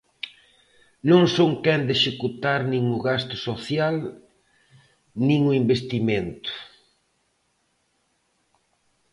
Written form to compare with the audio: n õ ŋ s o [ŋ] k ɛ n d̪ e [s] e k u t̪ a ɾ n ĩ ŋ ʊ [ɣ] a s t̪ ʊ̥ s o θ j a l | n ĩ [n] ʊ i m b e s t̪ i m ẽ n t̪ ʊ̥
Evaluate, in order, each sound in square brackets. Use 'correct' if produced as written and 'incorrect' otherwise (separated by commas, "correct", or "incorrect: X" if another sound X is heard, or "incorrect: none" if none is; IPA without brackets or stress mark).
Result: correct, incorrect: ʃ, correct, incorrect: ŋ